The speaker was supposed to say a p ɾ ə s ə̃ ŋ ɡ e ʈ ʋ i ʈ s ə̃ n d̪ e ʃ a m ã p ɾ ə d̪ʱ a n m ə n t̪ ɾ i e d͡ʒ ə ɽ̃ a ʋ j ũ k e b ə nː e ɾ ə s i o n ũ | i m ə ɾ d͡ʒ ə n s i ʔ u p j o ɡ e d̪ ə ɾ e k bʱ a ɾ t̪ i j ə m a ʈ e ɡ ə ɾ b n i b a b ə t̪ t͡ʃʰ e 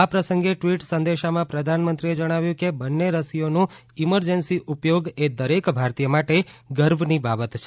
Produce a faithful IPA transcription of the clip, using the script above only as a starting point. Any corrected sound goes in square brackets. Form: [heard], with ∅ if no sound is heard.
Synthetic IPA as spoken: a p ɾ ə s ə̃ ŋ ɡ e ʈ ʋ i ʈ s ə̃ n d̪ e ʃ a m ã p ɾ ə d̪ʱ a n m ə n t̪ ɾ i e d͡ʒ ə ɽ̃ a ʋ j ũ k e b ə nː e ɾ ə s i o n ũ | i m ə ɾ d͡ʒ ə n s i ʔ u p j o ɡ e d̪ ə ɾ e k bʱ a ɾ t̪ i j ə m a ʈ e ɡ ə ɾ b n i b a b ə t̪ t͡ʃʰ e